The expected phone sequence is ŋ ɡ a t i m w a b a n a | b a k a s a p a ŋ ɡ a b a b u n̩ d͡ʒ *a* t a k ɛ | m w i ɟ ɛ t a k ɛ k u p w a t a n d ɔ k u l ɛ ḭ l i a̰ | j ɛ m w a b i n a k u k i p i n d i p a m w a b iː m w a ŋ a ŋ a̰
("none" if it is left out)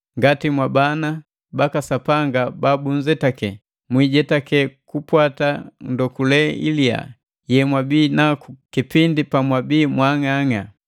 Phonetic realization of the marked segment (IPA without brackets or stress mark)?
ɛ